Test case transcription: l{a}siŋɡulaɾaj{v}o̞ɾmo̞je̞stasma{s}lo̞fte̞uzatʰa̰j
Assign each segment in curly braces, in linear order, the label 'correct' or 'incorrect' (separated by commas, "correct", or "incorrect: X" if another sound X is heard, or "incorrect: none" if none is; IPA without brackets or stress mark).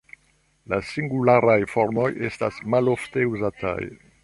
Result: correct, incorrect: f, incorrect: none